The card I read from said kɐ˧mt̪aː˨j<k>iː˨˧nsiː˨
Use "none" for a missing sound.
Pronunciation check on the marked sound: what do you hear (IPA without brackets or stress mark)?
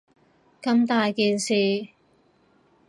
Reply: k